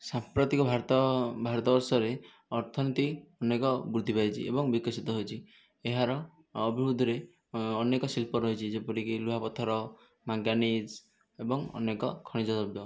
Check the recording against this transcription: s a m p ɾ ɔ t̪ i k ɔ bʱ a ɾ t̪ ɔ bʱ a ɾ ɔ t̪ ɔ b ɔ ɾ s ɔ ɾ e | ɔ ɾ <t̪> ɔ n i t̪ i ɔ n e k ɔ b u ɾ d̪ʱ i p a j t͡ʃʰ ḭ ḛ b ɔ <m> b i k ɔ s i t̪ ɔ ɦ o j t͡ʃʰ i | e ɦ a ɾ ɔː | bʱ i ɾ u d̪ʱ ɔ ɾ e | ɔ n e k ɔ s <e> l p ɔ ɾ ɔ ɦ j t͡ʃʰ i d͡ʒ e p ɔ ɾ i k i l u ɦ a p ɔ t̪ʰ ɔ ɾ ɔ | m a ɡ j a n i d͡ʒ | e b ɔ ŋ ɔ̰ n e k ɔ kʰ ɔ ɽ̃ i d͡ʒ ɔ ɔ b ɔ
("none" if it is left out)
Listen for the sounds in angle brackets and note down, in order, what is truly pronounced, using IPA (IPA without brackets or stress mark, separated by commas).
t̪ʰ, ŋ, i